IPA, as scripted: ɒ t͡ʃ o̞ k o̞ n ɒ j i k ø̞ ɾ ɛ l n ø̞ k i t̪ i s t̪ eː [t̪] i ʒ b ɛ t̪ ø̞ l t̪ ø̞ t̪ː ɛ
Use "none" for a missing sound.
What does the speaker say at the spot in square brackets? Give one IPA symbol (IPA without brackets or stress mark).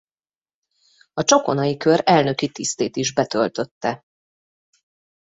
t̪